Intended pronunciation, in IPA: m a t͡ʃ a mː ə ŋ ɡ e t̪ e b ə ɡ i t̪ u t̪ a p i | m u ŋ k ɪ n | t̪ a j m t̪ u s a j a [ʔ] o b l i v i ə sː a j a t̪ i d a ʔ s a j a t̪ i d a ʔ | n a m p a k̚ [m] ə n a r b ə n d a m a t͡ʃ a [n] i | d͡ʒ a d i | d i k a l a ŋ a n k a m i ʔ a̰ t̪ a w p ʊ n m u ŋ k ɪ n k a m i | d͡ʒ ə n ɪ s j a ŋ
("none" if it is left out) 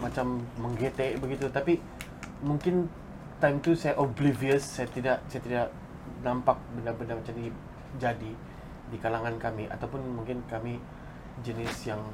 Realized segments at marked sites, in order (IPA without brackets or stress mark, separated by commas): ʔ, b, m